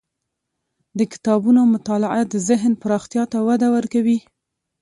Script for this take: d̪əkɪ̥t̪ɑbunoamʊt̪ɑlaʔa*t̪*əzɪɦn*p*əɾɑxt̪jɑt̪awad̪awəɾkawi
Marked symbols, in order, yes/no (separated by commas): no, yes